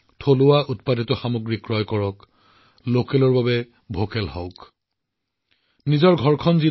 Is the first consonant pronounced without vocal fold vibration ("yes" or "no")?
yes